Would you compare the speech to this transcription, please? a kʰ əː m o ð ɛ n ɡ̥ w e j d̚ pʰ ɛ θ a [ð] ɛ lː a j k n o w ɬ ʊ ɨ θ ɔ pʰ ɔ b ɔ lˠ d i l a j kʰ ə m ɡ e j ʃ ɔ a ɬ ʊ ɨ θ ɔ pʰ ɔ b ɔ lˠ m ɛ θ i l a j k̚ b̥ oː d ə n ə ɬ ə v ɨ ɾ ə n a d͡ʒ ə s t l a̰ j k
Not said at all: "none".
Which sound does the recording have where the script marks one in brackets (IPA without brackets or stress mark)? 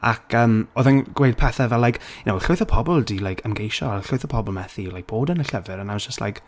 v